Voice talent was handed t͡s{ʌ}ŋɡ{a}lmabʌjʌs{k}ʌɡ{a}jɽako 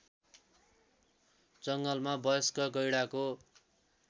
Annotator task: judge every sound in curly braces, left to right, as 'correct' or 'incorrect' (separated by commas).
correct, incorrect, correct, incorrect